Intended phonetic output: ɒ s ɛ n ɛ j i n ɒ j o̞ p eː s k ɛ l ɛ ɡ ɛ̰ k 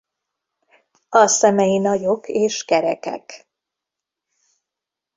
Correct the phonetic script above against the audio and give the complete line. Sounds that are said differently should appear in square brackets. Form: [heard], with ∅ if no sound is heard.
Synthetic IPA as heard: ɒ s ɛ [m] ɛ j i n ɒ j o̞ [k] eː [ʃ] k ɛ [ɾ] ɛ [k] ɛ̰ k